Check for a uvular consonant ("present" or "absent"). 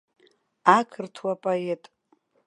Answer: absent